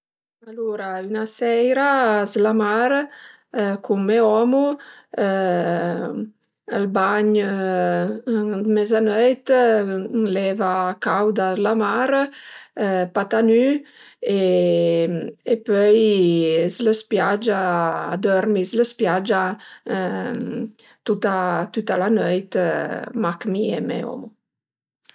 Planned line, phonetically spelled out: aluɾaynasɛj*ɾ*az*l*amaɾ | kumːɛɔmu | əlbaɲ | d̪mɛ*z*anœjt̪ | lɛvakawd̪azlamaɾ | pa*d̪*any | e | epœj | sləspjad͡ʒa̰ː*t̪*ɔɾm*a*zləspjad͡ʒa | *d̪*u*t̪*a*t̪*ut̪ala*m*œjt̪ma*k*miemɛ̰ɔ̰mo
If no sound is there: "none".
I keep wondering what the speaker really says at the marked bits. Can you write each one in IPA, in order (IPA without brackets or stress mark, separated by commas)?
ɾ, l, z, t̪, d̪, i, t̪, t̪, t̪, n, k